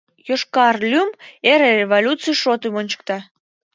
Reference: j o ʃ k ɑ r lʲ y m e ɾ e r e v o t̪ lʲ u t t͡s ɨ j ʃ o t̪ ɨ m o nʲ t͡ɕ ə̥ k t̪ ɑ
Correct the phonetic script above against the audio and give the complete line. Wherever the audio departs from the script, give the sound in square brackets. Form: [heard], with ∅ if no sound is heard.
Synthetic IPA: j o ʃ k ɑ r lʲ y m e ɾ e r e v o [∅] lʲ u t t͡s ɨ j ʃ o t̪ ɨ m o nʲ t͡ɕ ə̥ k t̪ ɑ